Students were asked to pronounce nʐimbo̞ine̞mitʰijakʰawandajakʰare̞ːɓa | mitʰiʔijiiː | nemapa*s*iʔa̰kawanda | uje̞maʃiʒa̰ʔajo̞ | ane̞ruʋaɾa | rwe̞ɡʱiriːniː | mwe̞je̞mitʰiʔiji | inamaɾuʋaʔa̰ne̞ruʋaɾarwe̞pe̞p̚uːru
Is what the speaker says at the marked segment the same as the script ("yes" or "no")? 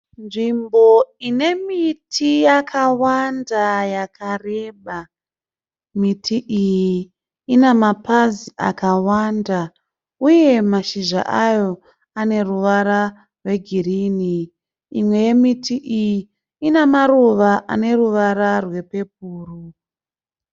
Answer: no